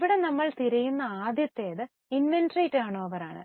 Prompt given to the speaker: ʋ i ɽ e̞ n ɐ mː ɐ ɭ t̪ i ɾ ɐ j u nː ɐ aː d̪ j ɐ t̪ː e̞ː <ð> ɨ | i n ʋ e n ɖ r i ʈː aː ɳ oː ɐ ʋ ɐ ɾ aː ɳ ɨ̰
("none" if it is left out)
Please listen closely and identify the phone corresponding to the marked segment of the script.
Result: ð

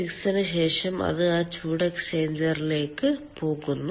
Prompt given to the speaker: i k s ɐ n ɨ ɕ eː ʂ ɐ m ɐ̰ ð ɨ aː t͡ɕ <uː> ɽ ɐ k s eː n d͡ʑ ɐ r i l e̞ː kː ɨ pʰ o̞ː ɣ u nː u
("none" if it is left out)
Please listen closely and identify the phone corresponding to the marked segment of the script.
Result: uː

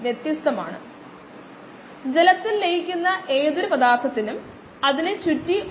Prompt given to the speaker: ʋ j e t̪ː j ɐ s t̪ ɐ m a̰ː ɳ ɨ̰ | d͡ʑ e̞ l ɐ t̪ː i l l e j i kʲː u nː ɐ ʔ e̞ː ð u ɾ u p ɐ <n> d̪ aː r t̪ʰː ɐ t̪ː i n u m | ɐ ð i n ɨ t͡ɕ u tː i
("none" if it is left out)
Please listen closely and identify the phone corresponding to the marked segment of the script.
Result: none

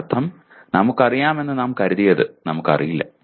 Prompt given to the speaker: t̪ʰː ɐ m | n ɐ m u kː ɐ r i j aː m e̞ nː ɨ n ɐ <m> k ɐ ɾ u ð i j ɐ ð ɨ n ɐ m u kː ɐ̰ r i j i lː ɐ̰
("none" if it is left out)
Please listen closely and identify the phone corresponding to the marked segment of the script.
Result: m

